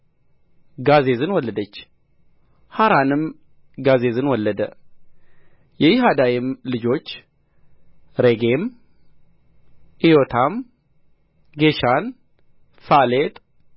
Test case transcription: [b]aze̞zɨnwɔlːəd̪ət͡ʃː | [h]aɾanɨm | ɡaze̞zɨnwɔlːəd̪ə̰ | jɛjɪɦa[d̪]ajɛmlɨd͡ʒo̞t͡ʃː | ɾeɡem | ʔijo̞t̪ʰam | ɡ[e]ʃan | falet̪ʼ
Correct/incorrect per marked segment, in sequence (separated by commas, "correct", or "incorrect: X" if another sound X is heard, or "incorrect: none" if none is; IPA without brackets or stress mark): incorrect: ɡ, correct, correct, correct